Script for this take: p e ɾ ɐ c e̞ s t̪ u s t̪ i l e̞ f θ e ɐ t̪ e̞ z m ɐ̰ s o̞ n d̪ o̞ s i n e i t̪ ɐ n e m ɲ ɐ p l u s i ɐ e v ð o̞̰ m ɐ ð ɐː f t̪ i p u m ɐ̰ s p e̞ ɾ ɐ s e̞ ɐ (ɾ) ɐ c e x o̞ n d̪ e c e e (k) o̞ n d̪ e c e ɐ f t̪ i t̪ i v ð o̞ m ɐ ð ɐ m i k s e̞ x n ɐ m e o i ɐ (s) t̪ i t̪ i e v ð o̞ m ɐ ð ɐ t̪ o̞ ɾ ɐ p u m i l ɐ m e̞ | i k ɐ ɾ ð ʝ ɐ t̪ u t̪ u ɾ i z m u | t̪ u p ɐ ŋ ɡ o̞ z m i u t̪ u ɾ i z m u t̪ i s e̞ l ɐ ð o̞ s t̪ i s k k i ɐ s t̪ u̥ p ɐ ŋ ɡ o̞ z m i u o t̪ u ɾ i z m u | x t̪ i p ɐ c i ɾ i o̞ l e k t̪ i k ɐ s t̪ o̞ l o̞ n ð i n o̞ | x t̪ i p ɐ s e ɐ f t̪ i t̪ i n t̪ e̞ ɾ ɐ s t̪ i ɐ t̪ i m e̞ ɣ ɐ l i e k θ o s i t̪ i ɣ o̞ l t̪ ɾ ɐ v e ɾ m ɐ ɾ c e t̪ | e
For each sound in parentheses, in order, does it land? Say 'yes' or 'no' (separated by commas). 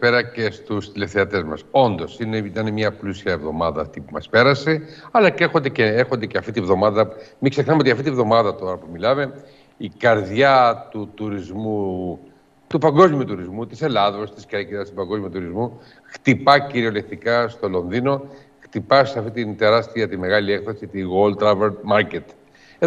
no, no, no